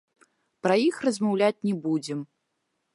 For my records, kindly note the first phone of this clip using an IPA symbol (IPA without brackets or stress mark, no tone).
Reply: p